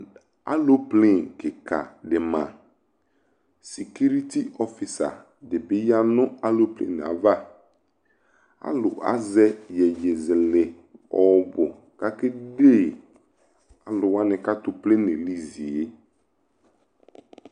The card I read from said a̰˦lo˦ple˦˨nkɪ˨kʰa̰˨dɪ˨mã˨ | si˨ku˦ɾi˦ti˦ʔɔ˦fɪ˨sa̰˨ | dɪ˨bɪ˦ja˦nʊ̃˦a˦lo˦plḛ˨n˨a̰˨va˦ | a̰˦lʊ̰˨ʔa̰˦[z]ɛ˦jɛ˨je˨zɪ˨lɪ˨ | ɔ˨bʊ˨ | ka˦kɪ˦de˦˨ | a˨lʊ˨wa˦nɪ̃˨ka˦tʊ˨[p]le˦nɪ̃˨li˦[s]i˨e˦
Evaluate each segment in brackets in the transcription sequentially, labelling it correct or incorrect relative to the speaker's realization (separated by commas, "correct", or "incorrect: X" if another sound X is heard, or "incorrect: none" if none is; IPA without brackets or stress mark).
correct, correct, incorrect: z